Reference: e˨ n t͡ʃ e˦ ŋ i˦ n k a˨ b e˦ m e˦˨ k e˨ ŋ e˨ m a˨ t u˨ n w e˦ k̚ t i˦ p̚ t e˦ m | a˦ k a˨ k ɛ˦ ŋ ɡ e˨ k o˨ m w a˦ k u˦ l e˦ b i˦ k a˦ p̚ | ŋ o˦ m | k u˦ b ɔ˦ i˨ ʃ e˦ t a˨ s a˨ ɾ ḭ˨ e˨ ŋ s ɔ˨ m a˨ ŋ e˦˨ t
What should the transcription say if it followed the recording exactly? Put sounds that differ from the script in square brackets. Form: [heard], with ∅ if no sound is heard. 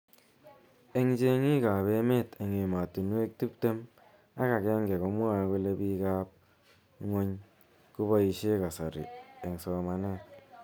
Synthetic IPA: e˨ [ŋ] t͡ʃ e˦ ŋ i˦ [∅] k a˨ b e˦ m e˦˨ [t] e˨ ŋ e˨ m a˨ t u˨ n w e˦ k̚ t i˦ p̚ t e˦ m | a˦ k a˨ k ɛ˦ ŋ ɡ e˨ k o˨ m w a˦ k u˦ l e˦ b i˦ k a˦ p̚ | ŋ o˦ [ɲ] | k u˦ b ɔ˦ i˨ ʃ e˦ [k] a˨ s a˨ ɾ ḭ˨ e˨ ŋ s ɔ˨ m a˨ [n] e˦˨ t